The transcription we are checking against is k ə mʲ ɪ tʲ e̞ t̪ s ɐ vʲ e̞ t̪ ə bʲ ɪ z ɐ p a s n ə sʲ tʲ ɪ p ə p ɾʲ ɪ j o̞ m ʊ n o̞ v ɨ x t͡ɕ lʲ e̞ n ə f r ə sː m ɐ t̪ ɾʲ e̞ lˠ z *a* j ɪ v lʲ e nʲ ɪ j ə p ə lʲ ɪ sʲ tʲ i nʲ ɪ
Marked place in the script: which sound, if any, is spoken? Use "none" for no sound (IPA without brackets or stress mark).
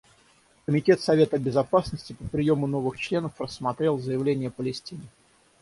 ə